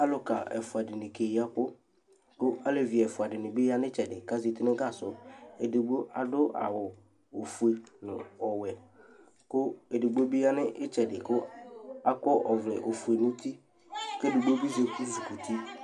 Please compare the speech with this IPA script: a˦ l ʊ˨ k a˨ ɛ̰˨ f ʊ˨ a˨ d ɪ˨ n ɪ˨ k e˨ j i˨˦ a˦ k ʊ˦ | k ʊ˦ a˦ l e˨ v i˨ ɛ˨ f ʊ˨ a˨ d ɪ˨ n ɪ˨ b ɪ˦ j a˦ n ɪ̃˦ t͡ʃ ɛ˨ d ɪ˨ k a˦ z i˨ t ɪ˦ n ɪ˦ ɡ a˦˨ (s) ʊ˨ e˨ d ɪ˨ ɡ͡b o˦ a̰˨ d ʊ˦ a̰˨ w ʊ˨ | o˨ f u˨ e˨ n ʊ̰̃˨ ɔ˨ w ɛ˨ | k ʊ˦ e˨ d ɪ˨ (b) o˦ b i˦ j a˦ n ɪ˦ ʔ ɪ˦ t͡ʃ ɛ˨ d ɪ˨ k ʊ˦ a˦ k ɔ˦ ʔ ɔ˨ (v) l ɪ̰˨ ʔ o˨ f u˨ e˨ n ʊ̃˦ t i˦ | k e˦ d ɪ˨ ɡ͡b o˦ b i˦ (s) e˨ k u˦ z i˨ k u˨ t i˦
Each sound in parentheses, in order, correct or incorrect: correct, incorrect: ɡ͡b, correct, incorrect: z

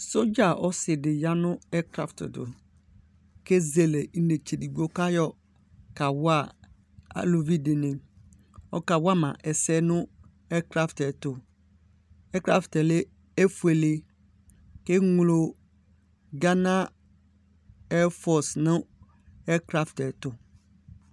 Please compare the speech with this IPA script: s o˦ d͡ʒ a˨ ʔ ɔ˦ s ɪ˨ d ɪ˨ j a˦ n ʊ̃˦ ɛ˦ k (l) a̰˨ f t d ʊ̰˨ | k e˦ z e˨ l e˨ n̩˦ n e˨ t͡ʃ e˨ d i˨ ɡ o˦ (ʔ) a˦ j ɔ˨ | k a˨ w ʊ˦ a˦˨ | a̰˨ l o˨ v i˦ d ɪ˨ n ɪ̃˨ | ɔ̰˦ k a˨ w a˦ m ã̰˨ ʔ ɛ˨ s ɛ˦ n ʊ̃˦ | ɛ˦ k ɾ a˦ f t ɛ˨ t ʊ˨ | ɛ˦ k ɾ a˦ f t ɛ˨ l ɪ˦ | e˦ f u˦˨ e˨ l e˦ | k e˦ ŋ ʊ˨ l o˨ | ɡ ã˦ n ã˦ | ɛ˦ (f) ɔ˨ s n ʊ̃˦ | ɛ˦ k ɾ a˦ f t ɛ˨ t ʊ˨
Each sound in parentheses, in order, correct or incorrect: incorrect: ɾ, incorrect: k, correct

